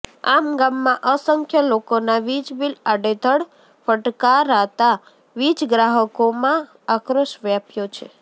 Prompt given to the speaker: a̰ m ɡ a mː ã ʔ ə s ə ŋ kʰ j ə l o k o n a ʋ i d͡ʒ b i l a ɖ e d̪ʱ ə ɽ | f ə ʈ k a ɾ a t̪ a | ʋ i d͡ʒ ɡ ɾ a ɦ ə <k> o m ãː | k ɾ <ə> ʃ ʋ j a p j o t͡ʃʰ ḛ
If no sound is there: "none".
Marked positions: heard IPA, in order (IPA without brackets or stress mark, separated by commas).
k, ə